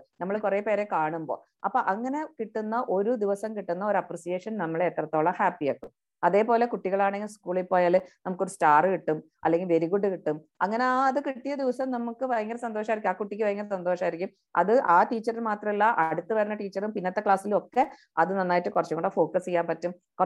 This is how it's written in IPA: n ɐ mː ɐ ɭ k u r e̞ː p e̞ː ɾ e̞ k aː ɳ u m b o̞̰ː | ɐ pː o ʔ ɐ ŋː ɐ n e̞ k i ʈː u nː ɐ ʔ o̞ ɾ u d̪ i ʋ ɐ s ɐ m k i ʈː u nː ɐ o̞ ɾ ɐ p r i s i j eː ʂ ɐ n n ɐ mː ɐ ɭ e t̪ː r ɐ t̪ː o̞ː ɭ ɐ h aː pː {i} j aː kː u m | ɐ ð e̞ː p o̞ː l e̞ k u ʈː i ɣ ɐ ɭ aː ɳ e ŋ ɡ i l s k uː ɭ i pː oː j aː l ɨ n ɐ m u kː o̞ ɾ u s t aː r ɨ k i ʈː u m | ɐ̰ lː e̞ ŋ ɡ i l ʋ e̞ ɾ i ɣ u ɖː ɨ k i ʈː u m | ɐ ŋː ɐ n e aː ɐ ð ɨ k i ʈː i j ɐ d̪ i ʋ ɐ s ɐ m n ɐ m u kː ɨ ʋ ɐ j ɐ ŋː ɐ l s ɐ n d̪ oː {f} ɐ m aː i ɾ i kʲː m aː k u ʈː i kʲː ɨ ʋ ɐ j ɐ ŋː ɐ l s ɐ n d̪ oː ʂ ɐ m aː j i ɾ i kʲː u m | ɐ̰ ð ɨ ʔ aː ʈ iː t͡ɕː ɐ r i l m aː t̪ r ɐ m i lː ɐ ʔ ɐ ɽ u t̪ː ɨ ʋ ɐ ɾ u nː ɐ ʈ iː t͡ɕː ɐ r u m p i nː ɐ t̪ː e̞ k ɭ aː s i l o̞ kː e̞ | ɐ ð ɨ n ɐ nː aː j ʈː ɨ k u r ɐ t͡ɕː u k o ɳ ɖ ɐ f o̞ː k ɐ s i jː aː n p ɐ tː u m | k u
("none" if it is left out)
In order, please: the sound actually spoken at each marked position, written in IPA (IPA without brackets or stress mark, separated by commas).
i, ʂ